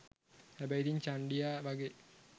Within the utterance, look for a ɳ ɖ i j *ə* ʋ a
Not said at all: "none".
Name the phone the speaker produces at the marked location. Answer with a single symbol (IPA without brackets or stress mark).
a